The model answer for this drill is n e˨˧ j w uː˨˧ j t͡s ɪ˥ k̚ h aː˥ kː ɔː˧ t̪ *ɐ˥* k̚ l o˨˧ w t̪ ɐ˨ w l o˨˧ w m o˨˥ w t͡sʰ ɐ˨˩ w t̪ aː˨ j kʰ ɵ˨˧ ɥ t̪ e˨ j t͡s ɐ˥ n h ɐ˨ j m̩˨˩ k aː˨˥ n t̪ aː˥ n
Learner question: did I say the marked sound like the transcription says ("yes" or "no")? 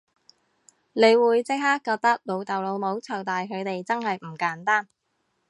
yes